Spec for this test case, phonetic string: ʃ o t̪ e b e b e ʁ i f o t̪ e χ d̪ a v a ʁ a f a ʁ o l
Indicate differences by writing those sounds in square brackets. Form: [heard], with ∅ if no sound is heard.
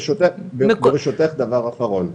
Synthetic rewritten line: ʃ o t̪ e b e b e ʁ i [ʃ] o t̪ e χ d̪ a v a ʁ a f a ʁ o l